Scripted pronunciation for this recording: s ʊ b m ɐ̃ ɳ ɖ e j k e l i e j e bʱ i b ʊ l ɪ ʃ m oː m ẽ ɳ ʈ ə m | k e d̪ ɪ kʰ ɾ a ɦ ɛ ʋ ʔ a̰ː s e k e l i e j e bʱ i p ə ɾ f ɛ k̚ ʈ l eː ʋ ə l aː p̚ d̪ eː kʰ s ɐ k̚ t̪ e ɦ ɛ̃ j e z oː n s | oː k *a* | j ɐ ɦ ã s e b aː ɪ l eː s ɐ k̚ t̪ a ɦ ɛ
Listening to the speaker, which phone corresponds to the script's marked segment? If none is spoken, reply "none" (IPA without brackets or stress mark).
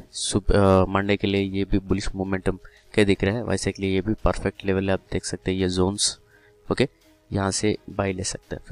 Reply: e